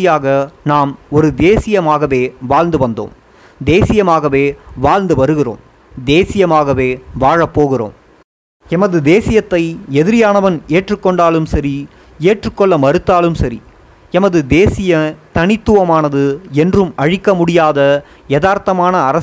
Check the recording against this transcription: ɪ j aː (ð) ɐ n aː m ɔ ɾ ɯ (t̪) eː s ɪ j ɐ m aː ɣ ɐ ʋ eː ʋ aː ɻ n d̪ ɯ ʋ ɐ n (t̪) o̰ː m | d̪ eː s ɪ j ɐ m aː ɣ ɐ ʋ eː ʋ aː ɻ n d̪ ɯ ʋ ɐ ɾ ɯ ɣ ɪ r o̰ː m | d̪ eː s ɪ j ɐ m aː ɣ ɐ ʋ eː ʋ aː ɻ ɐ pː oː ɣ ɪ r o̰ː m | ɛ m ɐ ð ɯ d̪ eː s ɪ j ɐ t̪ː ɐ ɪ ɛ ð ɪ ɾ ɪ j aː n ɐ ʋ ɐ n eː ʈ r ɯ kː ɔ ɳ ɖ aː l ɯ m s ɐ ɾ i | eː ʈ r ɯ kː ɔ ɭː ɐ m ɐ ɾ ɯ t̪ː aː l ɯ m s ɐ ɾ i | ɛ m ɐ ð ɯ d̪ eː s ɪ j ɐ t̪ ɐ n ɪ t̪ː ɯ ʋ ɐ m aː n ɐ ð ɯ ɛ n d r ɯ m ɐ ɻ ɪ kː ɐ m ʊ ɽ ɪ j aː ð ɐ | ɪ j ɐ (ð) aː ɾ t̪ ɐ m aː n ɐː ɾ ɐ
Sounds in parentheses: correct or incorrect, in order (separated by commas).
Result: incorrect, incorrect, incorrect, correct